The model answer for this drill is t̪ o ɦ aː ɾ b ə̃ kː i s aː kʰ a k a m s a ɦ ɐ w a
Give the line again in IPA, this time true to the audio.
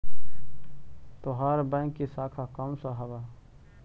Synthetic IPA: t̪ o ɦ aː ɾ b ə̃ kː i s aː kʰ a k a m s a ɦ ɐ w a